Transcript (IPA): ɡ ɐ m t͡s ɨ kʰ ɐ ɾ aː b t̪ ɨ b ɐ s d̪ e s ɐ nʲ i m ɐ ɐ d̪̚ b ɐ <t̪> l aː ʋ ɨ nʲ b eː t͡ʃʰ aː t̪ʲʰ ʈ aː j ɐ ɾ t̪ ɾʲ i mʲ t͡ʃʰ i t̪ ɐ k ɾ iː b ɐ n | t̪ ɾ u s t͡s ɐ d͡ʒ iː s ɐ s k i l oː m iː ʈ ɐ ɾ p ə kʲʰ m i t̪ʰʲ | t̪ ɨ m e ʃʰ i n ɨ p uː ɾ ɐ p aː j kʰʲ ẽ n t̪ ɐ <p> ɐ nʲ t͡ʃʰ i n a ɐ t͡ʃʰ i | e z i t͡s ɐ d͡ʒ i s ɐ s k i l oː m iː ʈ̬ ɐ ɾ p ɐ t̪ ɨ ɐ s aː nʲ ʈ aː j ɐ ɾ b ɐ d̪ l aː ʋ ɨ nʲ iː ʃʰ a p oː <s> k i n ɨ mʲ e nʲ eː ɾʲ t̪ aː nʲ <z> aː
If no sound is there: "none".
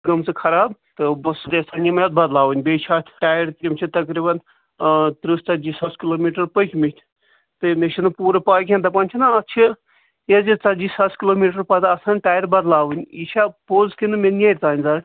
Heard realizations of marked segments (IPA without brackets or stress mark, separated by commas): d̪, p, z, z